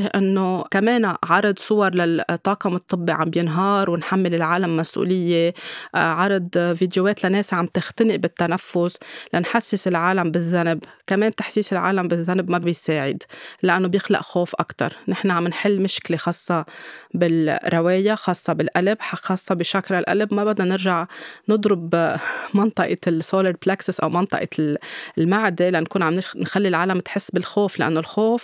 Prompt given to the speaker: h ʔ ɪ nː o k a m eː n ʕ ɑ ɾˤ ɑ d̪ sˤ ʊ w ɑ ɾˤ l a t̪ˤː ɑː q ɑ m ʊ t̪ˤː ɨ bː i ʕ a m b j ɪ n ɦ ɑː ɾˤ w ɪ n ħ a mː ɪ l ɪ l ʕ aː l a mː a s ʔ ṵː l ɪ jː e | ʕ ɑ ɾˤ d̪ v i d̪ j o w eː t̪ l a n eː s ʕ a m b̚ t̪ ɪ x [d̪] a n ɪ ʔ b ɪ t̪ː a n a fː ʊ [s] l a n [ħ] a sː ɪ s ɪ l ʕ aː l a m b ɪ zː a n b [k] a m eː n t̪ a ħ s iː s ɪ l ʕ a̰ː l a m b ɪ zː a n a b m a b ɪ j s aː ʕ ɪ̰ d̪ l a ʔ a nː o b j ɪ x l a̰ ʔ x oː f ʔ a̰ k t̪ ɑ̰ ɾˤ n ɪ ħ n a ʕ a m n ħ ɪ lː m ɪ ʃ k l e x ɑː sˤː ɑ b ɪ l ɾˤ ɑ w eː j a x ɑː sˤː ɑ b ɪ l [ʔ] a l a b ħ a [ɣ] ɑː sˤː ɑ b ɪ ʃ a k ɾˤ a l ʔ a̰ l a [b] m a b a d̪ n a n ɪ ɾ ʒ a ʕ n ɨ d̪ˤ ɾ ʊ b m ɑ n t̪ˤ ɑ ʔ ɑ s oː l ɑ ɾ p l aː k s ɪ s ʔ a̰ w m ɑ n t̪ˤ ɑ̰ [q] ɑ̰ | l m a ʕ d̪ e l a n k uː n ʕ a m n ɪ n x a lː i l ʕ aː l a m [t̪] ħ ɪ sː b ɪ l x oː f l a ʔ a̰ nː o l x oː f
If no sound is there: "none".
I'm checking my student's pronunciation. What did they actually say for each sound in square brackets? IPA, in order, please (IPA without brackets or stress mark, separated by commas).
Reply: t̪, s, ħ, k, ʔ, x, b, ʔ, t̪